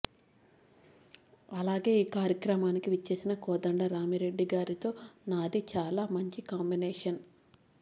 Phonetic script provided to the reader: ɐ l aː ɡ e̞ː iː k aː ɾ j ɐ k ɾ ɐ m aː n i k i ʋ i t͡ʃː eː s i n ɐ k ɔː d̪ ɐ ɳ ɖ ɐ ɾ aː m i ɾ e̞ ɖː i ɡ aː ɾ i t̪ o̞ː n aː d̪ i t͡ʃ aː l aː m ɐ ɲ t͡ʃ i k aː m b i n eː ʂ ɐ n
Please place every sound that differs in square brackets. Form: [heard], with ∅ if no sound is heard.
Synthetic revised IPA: ɐ l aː ɡ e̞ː iː k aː ɾ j ɐ k ɾ ɐ m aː n i k i ʋ i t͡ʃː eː s i n ɐ k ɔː d̪ ɐ ɳ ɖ ɐ ɾ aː m i ɾ e̞ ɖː i ɡ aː ɾ i t̪ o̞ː n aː d̪ i t͡ʃ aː l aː m ɐ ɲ t͡ʃ i k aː m b i n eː ʂ ɐ n